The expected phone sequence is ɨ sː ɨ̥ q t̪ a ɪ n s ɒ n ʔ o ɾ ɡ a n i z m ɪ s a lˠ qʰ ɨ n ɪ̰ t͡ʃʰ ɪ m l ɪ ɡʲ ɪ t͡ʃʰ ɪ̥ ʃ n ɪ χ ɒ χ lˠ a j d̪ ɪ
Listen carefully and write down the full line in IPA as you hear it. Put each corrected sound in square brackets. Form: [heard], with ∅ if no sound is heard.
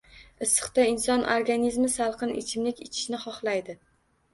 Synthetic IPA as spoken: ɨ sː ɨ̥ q t̪ a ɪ n s ɒ n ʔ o ɾ ɡ a n i z m ɪ s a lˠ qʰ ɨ n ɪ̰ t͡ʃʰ ɪ m l ɪ [kʲ] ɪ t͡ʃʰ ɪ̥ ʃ n ɪ χ ɒ χ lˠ a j d̪ ɪ

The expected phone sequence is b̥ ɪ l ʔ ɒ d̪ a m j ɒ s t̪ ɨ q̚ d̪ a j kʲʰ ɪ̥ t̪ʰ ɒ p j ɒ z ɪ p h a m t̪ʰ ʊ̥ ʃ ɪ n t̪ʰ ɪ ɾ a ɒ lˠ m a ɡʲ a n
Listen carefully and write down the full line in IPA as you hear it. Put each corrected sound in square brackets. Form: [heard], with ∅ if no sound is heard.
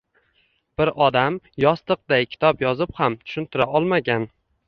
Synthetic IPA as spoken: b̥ ɪ [ɾ] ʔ ɒ d̪ a m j ɒ s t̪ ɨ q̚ d̪ a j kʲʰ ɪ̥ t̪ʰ ɒ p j ɒ z ɪ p h a m t̪ʰ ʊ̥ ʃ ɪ n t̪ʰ ɪ ɾ a ɒ lˠ m a ɡʲ a n

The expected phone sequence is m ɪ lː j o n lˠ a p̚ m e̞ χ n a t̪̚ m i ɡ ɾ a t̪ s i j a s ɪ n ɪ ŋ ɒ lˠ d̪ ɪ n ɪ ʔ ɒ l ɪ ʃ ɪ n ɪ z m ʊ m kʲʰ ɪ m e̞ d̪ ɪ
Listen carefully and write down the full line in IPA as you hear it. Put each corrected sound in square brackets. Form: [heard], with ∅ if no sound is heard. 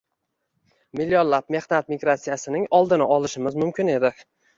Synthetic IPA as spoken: m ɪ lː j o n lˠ a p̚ m e̞ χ n a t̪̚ m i ɡ ɾ a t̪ s i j a s ɪ n ɪ ŋ ɒ lˠ d̪ ɪ n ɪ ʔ ɒ l ɪ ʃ ɪ [m] ɪ z m ʊ m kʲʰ ɪ [n] e̞ d̪ ɪ

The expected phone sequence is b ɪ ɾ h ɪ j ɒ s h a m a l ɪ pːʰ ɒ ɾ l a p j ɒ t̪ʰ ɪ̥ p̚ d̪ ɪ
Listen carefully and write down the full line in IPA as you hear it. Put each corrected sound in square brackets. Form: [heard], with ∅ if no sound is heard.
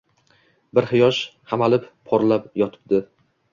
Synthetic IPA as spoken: b ɪ ɾ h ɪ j ɒ [ʃ] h a m a l ɪ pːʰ ɒ ɾ l a p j ɒ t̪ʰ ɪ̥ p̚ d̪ ɪ

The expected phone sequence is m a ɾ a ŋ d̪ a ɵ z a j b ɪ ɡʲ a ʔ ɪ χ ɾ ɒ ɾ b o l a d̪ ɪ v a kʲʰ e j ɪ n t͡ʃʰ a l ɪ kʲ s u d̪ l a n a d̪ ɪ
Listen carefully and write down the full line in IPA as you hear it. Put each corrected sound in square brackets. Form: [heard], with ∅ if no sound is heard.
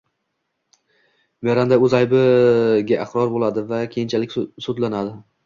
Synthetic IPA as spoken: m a ɾ a [n] d̪ a ɵ z a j b ɪ ɡʲ a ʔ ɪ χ ɾ ɒ ɾ b o l a d̪ ɪ v a kʲʰ e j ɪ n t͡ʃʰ a l ɪ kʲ s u d̪ l a n a d̪ ɪ

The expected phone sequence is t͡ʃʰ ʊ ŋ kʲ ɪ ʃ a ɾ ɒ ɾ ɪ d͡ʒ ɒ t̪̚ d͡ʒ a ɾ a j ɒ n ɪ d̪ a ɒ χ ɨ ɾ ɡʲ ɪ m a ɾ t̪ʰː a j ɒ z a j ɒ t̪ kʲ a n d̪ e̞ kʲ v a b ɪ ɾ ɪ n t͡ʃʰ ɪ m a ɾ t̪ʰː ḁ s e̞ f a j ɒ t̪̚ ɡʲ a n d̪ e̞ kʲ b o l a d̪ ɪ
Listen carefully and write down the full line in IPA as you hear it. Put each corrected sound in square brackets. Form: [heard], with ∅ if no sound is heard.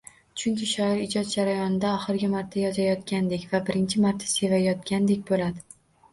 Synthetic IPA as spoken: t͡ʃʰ ʊ ŋ kʲ ɪ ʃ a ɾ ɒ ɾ ɪ d͡ʒ ɒ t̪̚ d͡ʒ a ɾ a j ɒ n ɪ d̪ a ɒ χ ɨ ɾ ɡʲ ɪ m a ɾ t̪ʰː a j ɒ z a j ɒ t̪ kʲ a n d̪ e̞ kʲ v a b ɪ ɾ ɪ n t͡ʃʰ ɪ m a ɾ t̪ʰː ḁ s e̞ [v] a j ɒ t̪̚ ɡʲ a n d̪ e̞ kʲ b o l a d̪ ɪ

